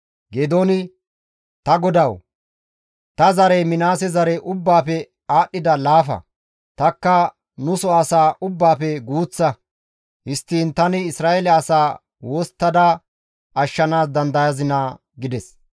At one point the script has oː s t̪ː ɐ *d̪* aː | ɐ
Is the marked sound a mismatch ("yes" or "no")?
no